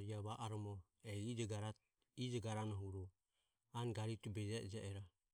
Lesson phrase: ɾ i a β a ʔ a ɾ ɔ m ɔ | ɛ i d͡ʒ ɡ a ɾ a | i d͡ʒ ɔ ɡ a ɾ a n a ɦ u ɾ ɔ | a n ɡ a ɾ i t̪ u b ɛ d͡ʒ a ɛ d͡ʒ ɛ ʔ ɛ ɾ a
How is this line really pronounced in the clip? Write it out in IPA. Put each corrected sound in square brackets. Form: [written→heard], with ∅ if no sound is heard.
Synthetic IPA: ɾ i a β a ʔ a ɾ ɔ m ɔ | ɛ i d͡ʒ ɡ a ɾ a | i d͡ʒ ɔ ɡ a ɾ a n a ɦ u ɾ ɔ | a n ɡ a ɾ i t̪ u b ɛ d͡ʒ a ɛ d͡ʒ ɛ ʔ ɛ ɾ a